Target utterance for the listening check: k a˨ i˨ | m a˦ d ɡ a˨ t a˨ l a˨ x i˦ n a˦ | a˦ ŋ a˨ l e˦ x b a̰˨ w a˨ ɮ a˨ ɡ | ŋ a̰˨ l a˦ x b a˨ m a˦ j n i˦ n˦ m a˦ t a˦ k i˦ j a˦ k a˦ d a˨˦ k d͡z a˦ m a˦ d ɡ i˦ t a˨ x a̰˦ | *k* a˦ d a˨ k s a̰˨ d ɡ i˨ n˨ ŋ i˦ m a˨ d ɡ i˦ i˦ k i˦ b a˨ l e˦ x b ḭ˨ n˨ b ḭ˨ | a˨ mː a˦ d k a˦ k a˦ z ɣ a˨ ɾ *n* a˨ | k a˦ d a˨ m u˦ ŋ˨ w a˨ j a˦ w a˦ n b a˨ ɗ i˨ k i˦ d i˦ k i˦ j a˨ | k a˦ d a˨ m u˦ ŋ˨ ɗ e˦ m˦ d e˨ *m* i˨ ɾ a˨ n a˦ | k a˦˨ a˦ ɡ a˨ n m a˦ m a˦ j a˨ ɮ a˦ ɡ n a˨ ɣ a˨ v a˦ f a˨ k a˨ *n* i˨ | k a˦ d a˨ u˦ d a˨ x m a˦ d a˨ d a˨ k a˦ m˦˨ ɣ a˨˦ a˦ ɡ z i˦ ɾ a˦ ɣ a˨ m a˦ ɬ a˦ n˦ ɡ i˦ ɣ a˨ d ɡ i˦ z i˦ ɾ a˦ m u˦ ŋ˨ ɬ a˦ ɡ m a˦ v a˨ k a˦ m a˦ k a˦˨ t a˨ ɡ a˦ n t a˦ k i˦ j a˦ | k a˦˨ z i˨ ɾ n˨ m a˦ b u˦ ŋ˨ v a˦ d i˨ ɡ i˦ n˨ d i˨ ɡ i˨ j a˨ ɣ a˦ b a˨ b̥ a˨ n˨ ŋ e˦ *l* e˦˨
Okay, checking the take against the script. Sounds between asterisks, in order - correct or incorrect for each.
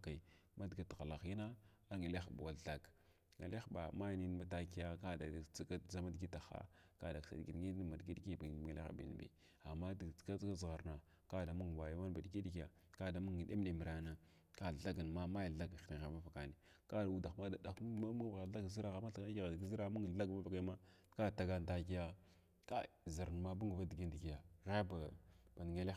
correct, correct, correct, correct, correct

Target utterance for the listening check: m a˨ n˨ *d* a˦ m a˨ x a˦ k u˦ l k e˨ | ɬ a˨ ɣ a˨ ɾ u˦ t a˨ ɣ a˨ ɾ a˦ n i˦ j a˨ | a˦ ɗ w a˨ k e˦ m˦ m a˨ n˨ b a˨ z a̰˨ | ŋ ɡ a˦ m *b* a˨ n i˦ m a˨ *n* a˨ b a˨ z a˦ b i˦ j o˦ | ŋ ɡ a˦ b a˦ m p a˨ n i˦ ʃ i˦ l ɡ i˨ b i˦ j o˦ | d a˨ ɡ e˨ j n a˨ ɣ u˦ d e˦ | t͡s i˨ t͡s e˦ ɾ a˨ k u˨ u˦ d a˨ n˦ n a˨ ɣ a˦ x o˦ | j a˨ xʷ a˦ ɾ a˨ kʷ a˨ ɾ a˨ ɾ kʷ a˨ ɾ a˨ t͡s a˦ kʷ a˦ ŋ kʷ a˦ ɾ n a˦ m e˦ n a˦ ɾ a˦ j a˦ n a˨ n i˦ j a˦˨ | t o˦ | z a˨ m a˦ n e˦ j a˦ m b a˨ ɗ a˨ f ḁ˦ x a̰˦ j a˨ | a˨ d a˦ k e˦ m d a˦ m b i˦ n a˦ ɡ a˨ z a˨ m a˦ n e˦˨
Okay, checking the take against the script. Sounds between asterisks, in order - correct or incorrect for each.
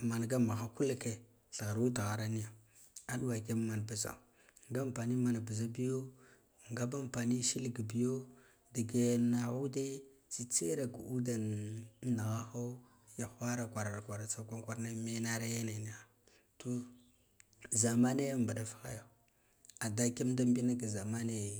incorrect, incorrect, correct

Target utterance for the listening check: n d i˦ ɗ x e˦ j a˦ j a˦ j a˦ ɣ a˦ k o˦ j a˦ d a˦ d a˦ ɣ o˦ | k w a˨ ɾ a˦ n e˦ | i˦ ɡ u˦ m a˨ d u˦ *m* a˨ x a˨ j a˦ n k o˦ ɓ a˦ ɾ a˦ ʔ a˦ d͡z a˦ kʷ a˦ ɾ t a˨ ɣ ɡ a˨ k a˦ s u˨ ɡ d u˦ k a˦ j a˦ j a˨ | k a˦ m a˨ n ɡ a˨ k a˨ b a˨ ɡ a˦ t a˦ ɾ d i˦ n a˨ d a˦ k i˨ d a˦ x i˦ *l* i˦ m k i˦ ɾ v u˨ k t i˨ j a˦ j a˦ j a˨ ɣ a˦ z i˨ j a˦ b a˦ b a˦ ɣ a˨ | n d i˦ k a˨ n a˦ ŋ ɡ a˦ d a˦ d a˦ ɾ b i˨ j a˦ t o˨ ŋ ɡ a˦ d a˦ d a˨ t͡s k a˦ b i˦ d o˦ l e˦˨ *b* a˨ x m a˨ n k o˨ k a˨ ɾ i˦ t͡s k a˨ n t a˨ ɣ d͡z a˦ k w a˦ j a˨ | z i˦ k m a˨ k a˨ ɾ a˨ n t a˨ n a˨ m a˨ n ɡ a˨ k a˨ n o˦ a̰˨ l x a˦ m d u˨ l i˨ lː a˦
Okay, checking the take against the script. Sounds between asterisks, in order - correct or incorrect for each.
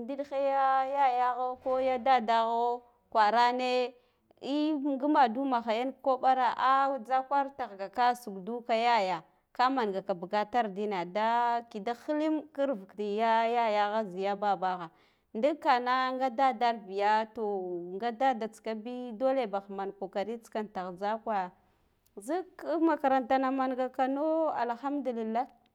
correct, correct, correct

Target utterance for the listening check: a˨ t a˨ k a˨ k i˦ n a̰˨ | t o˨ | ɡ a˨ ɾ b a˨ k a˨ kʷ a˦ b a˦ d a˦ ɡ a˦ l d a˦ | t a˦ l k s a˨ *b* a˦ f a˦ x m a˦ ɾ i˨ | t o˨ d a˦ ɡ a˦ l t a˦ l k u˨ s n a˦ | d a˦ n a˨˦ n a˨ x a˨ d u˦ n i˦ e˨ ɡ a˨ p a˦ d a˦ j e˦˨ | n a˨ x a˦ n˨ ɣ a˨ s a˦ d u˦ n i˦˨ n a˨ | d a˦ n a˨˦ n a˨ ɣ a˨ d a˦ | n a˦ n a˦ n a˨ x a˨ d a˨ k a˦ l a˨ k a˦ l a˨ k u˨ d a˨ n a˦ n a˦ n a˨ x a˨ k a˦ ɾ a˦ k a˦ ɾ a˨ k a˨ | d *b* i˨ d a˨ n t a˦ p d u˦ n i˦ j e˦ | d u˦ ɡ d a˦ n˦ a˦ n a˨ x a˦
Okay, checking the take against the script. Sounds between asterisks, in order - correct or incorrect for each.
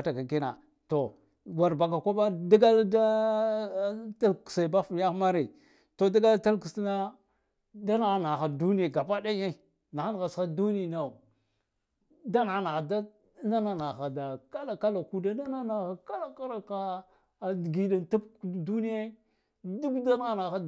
correct, incorrect

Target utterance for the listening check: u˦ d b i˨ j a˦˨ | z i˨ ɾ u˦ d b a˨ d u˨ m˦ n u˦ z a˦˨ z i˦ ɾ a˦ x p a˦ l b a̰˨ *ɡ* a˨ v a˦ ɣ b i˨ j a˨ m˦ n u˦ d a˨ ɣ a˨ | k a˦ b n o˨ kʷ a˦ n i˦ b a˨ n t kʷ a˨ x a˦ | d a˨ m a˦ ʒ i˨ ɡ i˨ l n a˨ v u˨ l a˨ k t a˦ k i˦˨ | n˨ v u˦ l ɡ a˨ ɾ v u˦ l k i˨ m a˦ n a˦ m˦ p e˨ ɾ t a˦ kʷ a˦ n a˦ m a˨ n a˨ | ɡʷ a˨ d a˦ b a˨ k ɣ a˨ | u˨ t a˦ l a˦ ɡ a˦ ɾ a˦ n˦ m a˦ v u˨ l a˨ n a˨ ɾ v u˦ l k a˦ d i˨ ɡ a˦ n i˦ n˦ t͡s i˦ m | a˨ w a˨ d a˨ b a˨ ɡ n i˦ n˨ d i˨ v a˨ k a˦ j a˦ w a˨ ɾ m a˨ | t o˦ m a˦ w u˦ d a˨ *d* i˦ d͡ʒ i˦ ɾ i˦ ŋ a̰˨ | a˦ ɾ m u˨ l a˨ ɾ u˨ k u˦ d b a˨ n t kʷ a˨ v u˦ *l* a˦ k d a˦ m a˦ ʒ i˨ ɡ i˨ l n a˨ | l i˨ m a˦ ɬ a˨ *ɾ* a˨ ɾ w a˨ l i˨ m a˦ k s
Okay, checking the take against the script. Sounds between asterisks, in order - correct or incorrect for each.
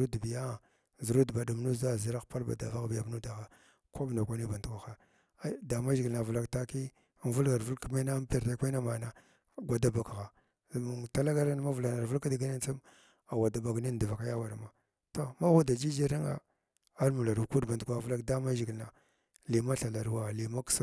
incorrect, incorrect, correct, incorrect

